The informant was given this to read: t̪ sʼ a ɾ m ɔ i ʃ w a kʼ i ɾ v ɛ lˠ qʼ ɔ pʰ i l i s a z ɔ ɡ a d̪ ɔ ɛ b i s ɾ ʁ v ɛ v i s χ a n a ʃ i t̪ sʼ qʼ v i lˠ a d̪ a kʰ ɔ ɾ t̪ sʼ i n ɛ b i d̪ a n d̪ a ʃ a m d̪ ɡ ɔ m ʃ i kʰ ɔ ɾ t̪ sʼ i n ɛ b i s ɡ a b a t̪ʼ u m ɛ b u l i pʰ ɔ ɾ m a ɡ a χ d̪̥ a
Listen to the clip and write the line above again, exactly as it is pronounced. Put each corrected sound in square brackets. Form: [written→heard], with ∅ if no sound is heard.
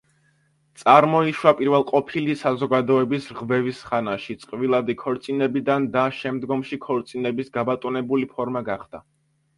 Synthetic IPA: t̪ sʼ a ɾ m ɔ i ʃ w a [kʼ→pʼ] i ɾ v ɛ lˠ qʼ ɔ pʰ i l i s a z ɔ ɡ a d̪ ɔ ɛ b i s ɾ ʁ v ɛ v i s χ a n a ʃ i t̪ sʼ qʼ v i lˠ a d̪ [a→i] kʰ ɔ ɾ t̪ sʼ i n ɛ b i d̪ a n d̪ a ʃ [a→ɛ] m d̪ ɡ ɔ m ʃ i kʰ ɔ ɾ t̪ sʼ i n ɛ b i s ɡ a b a t̪ʼ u [m→n] ɛ b u l i pʰ ɔ ɾ m a ɡ a χ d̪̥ a